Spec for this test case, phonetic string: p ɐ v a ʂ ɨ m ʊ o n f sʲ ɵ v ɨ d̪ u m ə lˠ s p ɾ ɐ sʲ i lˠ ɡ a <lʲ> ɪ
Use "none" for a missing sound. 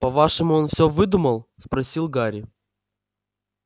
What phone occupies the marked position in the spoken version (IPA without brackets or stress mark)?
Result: ɾʲ